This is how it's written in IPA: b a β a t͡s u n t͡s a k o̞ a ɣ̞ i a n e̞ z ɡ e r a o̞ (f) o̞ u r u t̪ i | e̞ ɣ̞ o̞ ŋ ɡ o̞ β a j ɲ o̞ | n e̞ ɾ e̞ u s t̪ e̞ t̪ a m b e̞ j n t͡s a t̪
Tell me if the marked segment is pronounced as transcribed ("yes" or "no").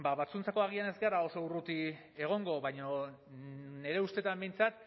no